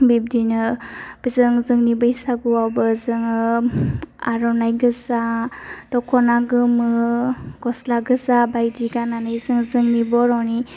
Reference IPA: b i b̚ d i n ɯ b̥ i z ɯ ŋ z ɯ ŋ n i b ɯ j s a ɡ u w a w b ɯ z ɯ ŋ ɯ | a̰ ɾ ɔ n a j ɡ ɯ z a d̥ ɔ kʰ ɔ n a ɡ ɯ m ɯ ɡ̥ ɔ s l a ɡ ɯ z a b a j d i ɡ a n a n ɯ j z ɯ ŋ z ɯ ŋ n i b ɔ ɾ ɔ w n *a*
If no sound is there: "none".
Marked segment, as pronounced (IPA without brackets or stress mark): i